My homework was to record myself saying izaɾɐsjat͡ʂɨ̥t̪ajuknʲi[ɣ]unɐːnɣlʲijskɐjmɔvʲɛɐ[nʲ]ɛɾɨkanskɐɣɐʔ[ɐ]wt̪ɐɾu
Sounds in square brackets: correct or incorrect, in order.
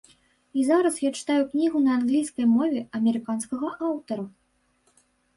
correct, incorrect, incorrect

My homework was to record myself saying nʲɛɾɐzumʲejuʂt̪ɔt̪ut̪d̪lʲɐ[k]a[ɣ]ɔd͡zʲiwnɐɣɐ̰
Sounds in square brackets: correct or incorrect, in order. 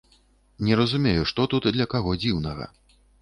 correct, correct

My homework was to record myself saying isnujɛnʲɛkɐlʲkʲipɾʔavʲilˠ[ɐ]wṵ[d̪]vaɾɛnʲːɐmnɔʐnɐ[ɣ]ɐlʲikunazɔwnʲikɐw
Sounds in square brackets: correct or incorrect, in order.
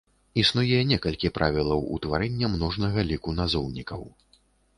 correct, incorrect, correct

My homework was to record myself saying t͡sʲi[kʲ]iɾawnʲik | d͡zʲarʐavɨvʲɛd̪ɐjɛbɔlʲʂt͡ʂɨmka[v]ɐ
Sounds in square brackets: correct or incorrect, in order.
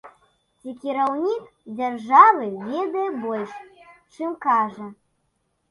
correct, incorrect

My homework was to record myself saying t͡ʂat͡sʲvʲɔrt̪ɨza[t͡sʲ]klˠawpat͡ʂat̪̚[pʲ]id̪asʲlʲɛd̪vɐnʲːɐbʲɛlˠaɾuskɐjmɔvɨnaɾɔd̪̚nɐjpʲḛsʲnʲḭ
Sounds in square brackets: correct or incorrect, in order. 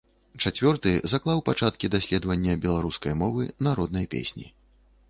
incorrect, incorrect

